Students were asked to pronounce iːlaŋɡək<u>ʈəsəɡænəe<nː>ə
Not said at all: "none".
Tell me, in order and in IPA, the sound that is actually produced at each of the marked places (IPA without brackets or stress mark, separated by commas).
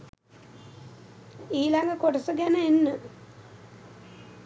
o, nː